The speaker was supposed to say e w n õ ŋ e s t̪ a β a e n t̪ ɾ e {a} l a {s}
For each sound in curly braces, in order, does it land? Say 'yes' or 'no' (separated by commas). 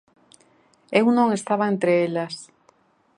no, yes